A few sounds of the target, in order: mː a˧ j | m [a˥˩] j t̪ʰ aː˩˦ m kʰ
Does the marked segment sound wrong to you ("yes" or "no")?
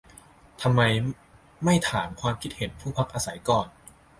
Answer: no